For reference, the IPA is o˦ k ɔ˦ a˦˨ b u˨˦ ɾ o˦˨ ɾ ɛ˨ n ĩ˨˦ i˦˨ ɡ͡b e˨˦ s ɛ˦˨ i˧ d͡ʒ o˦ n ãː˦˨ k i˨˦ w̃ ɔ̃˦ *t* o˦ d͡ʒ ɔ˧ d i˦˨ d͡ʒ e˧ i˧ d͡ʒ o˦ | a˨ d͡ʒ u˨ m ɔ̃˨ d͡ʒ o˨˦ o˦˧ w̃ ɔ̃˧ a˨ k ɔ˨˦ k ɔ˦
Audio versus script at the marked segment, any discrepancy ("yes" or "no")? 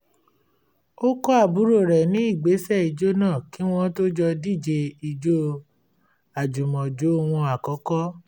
no